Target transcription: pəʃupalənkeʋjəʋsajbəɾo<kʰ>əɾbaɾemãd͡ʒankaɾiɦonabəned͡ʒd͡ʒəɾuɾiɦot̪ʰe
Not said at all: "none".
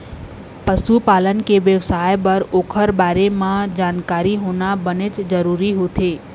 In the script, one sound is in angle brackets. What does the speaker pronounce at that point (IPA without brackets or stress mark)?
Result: kʰ